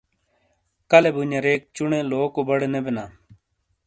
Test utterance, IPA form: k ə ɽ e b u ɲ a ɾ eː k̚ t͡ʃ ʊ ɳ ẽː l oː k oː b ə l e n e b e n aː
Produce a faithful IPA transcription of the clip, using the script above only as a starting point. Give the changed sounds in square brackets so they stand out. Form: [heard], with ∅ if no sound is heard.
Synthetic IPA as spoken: k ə [l] e b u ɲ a ɾ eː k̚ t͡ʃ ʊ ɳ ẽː l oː k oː b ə [ɽ] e n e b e n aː